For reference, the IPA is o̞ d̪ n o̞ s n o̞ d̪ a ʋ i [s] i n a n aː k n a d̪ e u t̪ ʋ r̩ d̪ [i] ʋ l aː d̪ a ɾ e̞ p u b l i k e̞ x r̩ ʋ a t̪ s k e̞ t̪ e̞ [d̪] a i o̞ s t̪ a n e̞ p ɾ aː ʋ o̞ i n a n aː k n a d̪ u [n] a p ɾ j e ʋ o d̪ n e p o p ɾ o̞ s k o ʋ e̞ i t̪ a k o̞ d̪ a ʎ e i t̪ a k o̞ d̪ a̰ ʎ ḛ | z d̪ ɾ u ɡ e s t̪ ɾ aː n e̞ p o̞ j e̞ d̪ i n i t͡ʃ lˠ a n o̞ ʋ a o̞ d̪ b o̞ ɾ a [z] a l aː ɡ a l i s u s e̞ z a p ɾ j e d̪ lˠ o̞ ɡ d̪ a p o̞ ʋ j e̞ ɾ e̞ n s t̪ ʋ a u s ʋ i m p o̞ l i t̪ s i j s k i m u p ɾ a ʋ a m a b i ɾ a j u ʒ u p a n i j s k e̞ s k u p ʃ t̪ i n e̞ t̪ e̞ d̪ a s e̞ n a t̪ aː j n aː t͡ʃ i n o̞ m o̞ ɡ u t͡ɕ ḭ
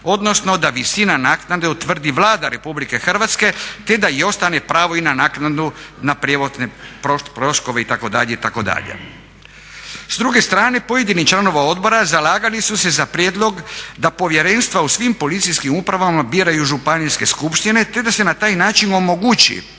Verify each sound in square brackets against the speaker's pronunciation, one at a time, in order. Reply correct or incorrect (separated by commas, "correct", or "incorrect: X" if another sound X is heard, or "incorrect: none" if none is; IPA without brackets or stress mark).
correct, correct, correct, correct, correct